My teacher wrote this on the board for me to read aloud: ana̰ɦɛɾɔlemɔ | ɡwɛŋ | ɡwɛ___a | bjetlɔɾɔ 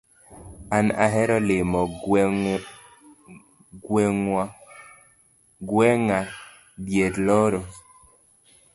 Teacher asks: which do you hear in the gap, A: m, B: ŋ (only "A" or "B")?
B